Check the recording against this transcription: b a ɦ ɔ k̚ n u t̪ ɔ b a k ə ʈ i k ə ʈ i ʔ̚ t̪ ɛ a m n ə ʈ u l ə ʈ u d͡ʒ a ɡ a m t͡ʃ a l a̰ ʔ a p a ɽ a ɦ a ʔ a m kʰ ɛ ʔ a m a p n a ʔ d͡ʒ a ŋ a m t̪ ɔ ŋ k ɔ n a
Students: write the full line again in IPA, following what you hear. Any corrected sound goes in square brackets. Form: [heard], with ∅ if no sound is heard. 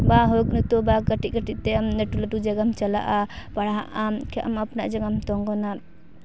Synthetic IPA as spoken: b a ɦ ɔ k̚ n u t̪ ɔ b a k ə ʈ i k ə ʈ i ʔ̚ t̪ ɛ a m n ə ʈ u l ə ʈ u d͡ʒ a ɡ a m t͡ʃ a l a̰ ʔ a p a ɽ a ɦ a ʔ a m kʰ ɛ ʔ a m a p n a ʔ d͡ʒ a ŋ a m t̪ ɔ ŋ [ɡ] ɔ n a